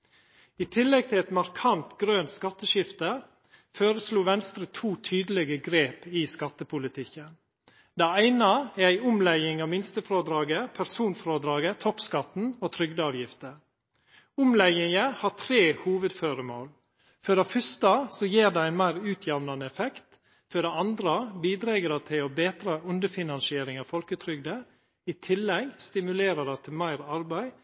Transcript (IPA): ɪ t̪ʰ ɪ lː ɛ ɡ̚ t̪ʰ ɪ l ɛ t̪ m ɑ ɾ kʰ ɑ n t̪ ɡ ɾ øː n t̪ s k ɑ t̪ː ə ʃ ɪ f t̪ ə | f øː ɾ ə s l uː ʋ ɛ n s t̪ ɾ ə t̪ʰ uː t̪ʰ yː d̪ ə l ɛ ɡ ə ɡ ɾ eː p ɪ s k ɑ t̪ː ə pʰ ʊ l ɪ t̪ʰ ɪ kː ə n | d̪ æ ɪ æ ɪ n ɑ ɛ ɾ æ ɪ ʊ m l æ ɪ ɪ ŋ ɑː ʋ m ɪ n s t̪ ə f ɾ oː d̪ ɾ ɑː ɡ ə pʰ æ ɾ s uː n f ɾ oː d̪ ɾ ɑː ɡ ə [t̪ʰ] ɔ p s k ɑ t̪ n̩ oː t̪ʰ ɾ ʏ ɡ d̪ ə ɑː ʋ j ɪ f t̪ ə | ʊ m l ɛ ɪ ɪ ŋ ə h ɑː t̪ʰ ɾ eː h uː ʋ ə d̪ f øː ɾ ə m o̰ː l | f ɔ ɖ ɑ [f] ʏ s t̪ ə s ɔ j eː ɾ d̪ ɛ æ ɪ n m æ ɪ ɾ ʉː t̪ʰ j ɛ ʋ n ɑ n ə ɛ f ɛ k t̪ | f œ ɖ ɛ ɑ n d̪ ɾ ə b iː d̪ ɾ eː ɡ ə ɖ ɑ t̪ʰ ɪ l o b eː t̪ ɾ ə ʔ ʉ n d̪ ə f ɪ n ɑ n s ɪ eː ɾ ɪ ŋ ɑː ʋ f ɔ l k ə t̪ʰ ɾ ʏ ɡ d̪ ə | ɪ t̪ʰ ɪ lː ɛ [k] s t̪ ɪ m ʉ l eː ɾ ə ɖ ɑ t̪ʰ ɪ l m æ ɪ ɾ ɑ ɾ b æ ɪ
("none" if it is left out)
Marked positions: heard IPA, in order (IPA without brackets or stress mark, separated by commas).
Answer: t̪ʰ, f, ɡ